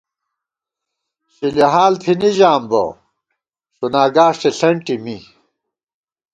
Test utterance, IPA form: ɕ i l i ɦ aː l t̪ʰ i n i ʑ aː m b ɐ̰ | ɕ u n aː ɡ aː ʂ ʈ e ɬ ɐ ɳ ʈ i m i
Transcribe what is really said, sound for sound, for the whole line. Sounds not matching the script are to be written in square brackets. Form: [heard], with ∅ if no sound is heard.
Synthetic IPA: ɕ i l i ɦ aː l t̪ʰ i n i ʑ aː m b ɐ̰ | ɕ u n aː ɡ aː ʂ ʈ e ɬ ɐ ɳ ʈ i m i